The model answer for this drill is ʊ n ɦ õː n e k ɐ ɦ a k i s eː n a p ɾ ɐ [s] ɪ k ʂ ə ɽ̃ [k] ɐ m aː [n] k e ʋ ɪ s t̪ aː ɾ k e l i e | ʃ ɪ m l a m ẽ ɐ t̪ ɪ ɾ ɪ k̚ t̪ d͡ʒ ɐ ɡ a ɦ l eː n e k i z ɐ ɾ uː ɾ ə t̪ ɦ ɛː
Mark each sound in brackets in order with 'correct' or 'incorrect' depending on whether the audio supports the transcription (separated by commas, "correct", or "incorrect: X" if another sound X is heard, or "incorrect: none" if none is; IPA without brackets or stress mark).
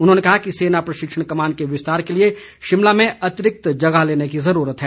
incorrect: ʃ, correct, correct